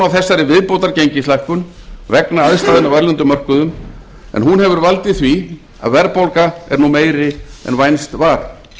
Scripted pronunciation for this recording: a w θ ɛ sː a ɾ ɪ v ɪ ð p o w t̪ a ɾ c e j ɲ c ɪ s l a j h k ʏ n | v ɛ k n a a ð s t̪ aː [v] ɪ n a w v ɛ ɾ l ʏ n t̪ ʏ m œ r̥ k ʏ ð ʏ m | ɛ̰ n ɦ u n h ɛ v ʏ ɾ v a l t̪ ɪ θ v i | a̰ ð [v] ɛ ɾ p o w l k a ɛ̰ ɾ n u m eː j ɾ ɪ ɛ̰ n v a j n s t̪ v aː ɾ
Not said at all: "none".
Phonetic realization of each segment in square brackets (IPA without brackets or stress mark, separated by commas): ð, v